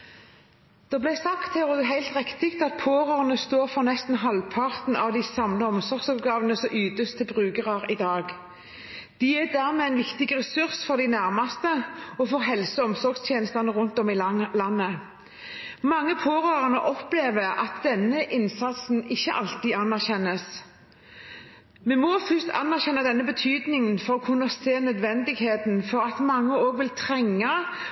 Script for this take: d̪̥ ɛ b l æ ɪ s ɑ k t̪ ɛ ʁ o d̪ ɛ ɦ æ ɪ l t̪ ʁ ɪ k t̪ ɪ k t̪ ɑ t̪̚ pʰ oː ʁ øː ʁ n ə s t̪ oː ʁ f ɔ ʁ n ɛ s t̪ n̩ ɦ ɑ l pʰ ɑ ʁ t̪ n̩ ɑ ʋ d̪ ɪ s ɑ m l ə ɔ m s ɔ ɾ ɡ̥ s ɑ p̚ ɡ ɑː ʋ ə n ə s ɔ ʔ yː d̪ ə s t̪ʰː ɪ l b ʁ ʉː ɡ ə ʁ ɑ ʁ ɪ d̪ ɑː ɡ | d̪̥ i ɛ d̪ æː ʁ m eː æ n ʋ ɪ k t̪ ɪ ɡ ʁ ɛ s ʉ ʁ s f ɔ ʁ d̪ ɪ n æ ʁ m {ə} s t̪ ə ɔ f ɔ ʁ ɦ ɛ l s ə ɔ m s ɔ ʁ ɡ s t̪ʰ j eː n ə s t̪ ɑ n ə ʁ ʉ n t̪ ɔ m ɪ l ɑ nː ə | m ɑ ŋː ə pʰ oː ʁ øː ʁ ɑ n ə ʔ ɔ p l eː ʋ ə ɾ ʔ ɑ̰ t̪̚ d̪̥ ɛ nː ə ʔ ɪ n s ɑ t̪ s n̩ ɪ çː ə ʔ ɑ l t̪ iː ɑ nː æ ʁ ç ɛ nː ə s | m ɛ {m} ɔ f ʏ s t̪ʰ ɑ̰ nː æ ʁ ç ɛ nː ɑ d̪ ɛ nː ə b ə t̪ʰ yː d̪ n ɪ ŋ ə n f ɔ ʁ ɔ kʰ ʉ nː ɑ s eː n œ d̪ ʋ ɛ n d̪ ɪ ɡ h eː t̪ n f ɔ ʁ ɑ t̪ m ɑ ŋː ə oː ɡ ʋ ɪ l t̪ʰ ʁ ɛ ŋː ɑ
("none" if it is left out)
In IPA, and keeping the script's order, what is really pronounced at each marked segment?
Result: ɑ, m

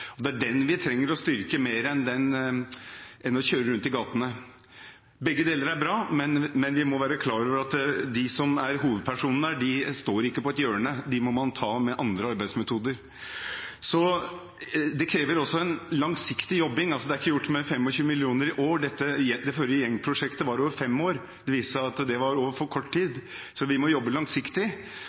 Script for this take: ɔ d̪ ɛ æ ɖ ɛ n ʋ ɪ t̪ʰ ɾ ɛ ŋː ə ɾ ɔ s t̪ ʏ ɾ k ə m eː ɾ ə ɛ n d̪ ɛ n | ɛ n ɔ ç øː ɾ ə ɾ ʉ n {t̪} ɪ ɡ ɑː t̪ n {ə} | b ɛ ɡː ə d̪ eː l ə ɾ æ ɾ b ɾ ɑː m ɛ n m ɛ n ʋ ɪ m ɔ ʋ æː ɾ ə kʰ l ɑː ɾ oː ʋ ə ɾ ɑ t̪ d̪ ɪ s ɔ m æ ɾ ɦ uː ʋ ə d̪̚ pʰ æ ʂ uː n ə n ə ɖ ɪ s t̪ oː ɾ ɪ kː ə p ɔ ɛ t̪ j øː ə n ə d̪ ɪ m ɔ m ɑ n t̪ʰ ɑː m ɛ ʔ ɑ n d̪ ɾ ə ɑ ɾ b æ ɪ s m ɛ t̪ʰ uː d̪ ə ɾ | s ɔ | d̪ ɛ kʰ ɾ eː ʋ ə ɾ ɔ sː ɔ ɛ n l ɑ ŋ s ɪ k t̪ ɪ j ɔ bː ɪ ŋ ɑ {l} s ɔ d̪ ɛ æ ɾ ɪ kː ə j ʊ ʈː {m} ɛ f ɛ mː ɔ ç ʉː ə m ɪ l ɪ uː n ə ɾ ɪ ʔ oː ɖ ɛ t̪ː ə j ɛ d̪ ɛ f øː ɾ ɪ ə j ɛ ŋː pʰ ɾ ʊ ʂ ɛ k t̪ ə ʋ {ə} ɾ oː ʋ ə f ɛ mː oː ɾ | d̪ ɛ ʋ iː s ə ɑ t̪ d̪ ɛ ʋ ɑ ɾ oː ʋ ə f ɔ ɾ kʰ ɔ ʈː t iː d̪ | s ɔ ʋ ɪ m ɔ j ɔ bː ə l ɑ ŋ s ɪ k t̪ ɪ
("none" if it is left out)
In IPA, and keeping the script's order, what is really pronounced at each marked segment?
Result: t̪, ə, l, m, ɑ

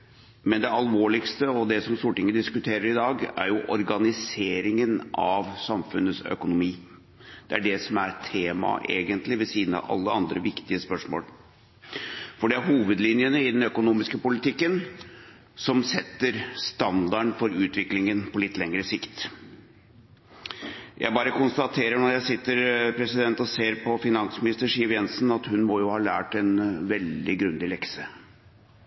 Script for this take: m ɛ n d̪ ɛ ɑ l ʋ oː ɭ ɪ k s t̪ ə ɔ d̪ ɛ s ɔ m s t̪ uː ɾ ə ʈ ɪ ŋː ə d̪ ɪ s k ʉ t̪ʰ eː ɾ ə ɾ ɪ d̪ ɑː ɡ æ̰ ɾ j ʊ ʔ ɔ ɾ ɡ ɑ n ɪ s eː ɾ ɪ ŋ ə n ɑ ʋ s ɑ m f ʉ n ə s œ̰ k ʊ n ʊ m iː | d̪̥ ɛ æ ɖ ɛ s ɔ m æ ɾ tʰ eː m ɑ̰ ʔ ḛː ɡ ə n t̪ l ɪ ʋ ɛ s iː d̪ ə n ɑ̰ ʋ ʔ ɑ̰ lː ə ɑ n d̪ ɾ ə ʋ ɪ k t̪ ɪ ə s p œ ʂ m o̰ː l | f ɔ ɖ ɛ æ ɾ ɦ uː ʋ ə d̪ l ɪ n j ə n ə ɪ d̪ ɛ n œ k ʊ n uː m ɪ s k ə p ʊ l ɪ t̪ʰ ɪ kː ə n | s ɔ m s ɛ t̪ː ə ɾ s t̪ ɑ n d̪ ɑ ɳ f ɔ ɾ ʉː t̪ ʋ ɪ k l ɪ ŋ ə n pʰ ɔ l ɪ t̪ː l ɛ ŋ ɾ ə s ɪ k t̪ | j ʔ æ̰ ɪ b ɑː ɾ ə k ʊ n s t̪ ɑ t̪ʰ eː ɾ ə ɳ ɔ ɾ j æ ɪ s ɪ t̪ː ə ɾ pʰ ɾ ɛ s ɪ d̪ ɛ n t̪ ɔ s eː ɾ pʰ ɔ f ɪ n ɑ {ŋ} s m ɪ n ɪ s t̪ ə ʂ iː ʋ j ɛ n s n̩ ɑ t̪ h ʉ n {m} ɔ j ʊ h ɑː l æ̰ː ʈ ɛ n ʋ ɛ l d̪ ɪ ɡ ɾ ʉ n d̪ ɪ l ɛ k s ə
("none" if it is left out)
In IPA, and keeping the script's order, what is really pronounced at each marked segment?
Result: n, m

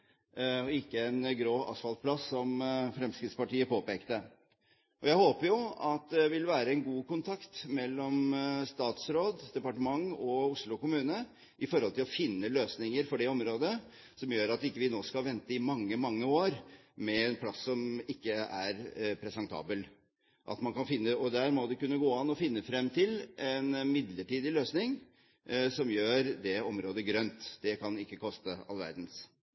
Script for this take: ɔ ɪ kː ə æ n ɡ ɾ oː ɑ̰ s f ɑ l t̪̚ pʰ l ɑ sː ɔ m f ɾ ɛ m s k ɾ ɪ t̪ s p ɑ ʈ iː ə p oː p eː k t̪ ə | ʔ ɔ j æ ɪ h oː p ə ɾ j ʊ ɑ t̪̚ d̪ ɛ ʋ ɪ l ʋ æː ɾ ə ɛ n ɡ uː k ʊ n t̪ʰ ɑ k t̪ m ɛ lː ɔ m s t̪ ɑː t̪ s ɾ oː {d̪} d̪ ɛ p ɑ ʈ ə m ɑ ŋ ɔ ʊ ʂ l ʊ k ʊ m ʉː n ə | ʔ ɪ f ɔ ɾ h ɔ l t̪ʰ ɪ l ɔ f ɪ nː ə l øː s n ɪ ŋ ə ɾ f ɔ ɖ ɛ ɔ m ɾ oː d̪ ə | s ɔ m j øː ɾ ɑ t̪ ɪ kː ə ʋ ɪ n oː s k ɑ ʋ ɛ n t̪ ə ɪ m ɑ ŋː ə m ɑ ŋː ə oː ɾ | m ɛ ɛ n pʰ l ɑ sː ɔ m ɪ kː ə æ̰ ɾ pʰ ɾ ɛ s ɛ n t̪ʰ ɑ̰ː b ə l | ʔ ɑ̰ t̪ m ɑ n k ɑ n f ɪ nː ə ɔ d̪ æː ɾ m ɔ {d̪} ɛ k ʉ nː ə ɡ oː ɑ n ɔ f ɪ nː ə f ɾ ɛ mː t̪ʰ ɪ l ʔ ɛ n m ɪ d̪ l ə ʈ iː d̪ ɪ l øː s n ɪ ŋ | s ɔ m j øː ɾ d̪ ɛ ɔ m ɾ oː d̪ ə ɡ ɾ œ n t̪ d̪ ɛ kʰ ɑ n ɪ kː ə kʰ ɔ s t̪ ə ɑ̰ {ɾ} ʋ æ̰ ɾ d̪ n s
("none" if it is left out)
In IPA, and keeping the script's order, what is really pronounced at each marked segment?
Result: d̪, d̪, l

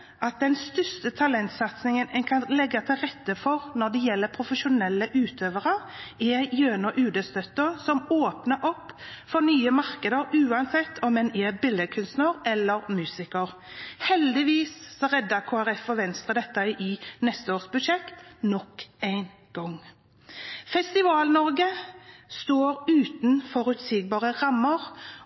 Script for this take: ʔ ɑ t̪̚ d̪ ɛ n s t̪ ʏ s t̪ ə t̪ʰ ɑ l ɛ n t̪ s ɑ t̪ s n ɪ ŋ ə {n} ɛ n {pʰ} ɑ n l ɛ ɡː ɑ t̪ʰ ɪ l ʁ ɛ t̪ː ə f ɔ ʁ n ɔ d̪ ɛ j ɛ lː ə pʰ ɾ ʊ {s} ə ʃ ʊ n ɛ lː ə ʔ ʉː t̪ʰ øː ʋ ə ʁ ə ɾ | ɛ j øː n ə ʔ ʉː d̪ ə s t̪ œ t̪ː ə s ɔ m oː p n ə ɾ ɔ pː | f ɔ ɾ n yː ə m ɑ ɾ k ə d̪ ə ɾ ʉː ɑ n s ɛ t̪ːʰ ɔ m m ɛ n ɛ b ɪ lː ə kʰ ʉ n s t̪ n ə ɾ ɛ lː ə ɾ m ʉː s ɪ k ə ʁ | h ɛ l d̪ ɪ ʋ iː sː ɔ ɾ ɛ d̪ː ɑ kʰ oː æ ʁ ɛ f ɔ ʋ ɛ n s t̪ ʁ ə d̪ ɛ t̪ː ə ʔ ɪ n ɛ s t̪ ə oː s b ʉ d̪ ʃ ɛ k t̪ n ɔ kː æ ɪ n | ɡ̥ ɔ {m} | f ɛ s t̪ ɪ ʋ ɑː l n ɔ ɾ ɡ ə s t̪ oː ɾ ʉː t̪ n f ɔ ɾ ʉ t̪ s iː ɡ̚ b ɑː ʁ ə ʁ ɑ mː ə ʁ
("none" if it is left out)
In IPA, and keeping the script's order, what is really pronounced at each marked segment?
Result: n, kʰ, f, ŋ

